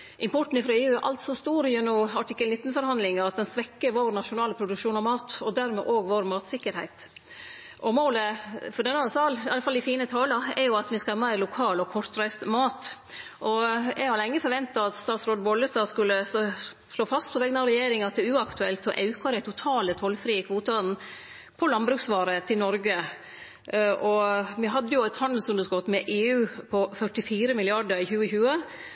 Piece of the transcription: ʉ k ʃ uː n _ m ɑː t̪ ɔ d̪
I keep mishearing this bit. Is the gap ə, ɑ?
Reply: ɑ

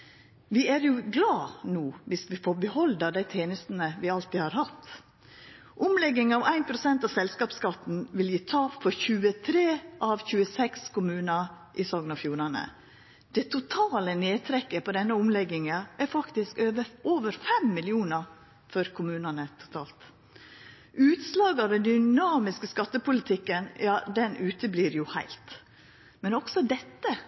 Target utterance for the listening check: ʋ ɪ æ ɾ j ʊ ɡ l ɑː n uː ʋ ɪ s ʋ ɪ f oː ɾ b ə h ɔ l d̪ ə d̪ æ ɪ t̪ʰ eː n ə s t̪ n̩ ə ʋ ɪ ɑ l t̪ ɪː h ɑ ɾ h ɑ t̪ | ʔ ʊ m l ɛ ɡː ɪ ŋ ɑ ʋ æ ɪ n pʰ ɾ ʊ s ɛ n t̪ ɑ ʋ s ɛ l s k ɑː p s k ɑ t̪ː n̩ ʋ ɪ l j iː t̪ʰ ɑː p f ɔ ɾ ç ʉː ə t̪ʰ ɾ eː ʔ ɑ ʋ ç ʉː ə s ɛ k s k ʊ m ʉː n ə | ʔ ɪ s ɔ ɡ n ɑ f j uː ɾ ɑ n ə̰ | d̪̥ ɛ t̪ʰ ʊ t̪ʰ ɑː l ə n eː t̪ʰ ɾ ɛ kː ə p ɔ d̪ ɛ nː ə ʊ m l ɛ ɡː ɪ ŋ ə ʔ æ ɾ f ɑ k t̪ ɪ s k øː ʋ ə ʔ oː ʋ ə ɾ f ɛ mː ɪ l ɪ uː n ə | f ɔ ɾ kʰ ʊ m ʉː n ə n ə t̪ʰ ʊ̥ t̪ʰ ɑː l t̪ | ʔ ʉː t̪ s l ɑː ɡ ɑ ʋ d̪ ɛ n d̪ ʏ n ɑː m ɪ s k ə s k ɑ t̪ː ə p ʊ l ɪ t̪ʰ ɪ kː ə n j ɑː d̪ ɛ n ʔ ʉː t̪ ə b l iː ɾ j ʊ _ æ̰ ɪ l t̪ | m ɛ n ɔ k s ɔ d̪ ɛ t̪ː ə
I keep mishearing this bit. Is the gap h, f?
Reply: h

